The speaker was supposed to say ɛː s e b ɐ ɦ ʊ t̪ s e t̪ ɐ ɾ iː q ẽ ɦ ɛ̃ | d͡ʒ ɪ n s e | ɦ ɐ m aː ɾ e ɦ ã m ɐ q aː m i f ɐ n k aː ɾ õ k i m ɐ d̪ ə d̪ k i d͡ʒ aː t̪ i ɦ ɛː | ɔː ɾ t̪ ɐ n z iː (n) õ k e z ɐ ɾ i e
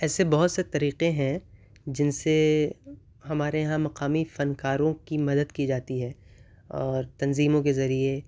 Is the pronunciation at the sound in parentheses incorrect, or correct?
incorrect